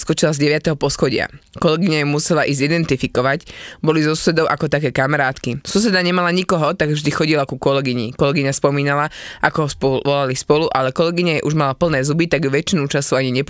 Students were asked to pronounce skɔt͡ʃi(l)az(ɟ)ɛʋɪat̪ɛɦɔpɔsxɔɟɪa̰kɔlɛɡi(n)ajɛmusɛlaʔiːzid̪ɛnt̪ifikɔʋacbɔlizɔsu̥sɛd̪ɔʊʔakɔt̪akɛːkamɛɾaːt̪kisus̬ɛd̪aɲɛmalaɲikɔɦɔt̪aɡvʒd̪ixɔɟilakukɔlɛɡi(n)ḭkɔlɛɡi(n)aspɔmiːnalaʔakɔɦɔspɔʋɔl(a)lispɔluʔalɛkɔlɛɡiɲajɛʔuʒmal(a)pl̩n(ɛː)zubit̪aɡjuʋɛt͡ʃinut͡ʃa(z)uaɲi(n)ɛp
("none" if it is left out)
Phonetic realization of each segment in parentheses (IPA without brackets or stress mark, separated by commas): l, ɟ, ɲ, ɲ, ɲ, a, a, ɛː, s, ɲ